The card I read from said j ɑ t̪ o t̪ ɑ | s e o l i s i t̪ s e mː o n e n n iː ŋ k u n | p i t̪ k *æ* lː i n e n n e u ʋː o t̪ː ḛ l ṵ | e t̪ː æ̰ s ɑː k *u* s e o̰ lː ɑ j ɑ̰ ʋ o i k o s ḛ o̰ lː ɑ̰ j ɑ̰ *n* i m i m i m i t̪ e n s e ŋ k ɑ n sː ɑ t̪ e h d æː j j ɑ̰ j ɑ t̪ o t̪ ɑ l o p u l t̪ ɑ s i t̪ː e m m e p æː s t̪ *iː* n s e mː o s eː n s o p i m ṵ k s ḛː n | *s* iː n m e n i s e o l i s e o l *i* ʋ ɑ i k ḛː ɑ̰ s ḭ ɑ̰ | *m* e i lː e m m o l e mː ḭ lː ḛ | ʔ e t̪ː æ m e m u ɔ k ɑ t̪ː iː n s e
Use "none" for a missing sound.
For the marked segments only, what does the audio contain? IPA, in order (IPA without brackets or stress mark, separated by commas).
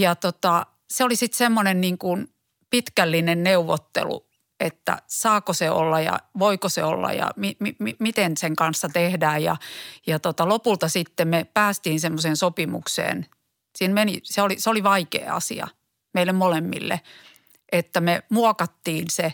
æ, o, m, iː, s, i, m